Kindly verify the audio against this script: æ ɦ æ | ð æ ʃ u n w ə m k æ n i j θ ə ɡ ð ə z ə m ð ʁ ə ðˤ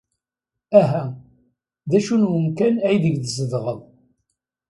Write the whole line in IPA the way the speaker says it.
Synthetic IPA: æ ɦ æ | ð æ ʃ u n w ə m k æ n æ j ð ə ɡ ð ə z ə ð ʁ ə ðˤ